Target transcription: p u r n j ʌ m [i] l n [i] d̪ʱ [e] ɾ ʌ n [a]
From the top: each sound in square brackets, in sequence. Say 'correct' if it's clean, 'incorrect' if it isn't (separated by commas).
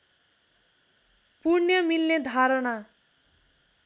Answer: correct, incorrect, incorrect, correct